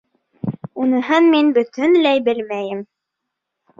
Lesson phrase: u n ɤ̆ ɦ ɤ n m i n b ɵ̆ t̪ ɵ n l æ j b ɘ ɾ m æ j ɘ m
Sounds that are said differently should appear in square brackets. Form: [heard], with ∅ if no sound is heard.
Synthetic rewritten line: u n ɤ̆ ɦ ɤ n m i n b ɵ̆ t̪ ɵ n l æ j b ɘ [l] m æ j ɘ m